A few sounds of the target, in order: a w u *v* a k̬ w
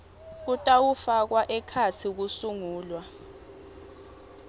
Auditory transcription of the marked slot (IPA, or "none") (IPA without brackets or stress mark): f